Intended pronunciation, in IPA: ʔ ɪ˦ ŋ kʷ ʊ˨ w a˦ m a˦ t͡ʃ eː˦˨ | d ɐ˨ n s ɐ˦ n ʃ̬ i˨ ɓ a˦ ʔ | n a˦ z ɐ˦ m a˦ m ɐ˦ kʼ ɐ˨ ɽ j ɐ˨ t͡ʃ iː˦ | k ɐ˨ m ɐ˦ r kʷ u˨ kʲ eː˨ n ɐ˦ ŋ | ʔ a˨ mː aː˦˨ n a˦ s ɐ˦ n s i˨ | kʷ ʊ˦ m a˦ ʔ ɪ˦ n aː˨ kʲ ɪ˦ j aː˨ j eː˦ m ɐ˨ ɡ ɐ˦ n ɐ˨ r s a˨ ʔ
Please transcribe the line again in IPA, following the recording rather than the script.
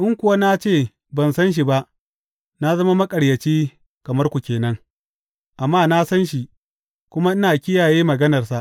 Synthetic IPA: ʔ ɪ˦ ŋ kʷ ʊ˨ w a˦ n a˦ t͡ʃ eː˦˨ | b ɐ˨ n s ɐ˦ n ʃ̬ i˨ b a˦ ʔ | n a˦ z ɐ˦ m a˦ m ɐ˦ kʼ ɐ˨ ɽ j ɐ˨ t͡ʃ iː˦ | k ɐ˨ m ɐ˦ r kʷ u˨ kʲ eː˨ n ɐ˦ ŋ | ʔ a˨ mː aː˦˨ n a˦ s ɐ˦ n ʃ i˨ | kʷ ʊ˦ m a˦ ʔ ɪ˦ n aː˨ kʲ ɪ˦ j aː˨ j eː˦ m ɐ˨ ɡ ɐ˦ n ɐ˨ r s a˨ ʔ